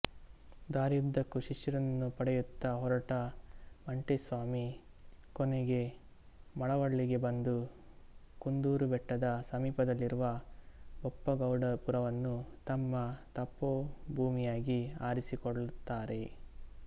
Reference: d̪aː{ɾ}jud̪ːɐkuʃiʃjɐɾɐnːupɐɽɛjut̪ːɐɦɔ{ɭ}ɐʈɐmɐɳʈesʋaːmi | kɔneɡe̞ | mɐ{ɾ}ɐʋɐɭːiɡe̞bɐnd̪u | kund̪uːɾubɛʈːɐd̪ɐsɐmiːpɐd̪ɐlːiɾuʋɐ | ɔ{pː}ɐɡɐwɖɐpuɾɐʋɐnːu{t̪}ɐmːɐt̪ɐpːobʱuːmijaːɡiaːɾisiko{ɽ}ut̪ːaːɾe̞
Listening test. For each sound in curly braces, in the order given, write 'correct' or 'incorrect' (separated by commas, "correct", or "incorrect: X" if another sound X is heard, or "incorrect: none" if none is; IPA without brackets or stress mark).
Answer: correct, incorrect: ɾ, incorrect: ɭ, correct, correct, incorrect: ɭ